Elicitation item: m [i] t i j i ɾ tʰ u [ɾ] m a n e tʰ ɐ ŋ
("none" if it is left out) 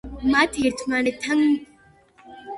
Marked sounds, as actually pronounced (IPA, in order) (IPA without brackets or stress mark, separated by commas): a, none